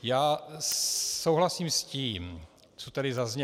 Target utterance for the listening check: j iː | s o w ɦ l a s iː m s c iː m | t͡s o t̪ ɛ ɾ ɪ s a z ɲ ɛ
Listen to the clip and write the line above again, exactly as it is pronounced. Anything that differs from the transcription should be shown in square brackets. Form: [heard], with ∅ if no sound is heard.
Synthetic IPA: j [aː] | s o w ɦ l a s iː m s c iː m | t͡s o t̪ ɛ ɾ ɪ [z] a z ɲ ɛ